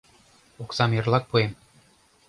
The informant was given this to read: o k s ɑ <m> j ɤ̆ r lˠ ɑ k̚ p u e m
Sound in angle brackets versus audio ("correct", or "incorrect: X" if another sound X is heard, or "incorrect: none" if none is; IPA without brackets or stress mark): correct